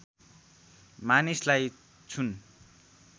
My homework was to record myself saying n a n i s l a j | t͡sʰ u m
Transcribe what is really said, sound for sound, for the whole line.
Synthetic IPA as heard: m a n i s l a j | t͡sʰ u n

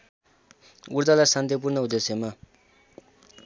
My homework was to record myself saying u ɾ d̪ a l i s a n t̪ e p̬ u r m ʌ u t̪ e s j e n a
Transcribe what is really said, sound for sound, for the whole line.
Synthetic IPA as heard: u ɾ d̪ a l a s a n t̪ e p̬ u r n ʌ u d̪ e s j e m a

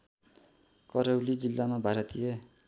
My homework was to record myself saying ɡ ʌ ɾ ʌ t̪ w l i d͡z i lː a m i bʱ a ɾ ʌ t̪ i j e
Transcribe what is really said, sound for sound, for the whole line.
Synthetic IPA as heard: k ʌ ɾ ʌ w l i d͡z i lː a m a bʱ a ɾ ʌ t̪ i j e

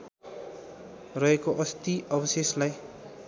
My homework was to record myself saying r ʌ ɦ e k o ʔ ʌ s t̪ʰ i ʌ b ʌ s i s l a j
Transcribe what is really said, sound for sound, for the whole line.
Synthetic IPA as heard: r ʌ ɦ e k o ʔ ʌ s t̪ i ʌ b ʌ s e s l a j

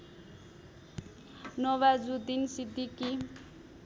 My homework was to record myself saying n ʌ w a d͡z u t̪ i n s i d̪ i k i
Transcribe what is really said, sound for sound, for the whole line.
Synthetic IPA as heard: n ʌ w a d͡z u d̪ i n s i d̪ i k i

